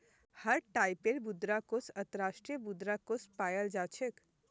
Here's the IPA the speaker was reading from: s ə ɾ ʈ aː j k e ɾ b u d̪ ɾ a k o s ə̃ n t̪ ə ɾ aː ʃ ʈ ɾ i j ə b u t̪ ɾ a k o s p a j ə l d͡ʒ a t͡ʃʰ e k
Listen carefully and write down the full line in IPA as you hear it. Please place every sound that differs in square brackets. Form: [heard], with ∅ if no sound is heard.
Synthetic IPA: [h] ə ɾ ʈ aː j [p] e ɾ b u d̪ ɾ a k o s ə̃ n t̪ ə ɾ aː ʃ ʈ ɾ i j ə b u [d̪] ɾ a k o s p a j ə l d͡ʒ a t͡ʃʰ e k